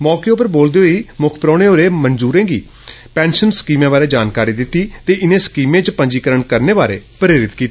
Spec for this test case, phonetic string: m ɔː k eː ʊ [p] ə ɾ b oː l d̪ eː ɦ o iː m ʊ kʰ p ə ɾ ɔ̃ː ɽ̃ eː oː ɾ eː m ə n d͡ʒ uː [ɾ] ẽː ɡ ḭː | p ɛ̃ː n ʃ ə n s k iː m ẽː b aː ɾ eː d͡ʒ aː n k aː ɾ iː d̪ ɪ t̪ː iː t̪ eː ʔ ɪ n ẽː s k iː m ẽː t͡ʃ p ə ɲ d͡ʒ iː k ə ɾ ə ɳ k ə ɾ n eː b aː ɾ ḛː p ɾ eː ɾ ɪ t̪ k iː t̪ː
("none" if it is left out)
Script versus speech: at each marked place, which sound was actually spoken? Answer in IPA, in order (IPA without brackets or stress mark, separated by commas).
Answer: p, ɾ